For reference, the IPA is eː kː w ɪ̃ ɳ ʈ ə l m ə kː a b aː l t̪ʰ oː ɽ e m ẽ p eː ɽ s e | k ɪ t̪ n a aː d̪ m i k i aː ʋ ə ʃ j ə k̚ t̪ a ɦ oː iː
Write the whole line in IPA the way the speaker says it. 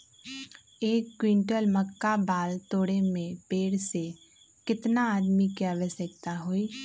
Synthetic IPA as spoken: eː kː w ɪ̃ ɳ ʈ ə l m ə kː a b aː l t̪ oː ɽ e m ẽ p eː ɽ s e | k ɪ t̪ n a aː d̪ m i k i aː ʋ ə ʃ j ə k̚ t̪ a ɦ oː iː